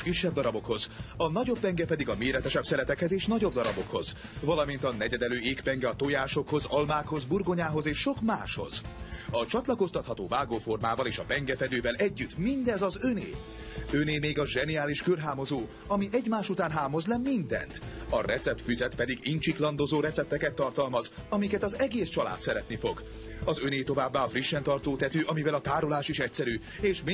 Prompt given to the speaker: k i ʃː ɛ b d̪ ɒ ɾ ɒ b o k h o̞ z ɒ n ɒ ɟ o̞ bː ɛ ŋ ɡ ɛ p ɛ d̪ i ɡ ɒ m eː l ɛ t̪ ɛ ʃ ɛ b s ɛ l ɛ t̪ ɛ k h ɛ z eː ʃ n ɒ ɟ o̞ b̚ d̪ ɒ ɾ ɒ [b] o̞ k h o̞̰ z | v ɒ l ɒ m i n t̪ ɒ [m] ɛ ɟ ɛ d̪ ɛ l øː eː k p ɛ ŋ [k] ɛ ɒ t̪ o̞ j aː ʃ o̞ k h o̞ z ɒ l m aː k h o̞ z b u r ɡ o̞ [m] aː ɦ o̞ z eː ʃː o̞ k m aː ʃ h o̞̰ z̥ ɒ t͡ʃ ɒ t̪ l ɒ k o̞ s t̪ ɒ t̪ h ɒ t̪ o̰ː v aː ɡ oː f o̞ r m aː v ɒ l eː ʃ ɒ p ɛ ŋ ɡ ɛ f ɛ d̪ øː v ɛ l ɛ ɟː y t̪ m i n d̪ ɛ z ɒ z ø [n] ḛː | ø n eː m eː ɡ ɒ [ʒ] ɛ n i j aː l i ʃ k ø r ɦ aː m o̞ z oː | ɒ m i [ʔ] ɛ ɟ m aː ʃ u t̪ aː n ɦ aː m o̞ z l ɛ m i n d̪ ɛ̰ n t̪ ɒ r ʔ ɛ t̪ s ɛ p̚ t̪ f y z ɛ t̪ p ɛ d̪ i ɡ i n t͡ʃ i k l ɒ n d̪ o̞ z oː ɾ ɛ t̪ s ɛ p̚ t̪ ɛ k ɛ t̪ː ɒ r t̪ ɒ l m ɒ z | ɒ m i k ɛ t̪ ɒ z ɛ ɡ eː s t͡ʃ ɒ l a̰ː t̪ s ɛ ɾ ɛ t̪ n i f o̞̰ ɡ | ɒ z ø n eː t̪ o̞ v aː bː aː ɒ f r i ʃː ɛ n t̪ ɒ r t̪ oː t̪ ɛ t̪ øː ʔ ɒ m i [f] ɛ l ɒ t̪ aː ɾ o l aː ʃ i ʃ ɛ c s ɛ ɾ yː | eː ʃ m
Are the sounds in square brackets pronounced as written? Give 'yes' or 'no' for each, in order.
yes, no, no, no, yes, yes, yes, no

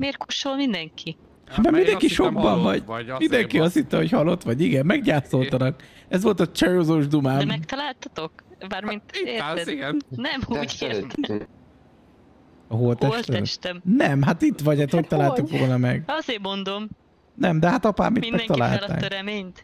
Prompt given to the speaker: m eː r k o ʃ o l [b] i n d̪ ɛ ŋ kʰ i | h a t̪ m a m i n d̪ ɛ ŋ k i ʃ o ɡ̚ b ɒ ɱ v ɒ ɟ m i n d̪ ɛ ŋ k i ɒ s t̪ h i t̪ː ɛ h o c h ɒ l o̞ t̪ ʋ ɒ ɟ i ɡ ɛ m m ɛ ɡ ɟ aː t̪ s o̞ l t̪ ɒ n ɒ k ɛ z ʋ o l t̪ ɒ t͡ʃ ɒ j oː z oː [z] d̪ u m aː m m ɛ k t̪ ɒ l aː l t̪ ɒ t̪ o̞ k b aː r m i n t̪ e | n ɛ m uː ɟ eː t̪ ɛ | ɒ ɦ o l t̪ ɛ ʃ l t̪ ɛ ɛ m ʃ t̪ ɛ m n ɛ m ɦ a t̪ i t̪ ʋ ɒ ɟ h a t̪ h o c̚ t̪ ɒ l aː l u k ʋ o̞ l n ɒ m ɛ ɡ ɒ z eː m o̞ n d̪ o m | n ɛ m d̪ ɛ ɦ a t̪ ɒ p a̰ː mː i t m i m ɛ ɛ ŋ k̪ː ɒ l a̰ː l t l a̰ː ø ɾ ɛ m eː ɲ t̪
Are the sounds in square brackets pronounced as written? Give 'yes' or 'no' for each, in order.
no, no

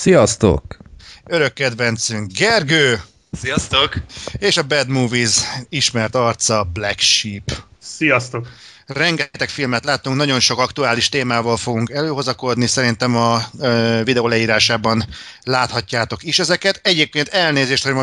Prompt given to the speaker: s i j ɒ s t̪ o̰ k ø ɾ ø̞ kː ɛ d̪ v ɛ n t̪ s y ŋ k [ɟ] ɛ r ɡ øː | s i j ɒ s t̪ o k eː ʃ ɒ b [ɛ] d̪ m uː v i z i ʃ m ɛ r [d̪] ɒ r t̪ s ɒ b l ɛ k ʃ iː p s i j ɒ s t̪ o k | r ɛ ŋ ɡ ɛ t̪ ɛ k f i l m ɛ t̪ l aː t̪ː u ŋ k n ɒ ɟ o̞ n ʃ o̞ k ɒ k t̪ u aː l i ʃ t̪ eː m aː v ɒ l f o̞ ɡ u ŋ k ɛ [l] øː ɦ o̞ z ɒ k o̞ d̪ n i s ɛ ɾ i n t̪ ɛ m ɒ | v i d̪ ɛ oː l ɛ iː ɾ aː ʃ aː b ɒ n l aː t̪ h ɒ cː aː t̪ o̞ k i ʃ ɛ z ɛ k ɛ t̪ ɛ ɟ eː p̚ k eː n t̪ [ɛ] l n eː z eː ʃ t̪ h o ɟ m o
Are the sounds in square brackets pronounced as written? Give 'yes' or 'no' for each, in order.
no, yes, no, yes, yes

